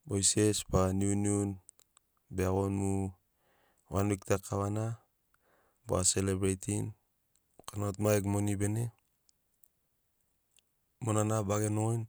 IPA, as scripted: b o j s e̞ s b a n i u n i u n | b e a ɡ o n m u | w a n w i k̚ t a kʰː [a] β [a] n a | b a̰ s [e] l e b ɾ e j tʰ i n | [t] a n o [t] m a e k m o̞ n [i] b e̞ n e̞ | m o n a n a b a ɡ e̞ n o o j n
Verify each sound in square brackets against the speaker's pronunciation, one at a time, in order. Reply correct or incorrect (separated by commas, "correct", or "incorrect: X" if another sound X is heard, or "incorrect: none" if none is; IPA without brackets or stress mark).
correct, correct, correct, incorrect: k, correct, correct